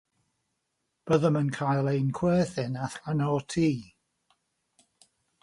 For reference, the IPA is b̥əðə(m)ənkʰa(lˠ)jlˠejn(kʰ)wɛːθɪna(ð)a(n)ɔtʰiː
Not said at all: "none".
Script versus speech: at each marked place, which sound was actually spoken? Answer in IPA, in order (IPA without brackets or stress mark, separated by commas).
m, none, kʰ, θ, n